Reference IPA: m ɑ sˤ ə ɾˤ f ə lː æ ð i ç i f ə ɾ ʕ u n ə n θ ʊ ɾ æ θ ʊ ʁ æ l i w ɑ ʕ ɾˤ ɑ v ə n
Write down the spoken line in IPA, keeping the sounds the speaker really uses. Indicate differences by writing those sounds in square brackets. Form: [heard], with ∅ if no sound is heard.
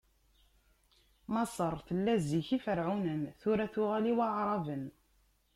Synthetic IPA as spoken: m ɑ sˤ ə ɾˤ [θ] ə lː æ [z] i ç i f ə ɾ ʕ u n ə n θ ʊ ɾ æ θ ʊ ʁ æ l i w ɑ ʕ ɾˤ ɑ v ə n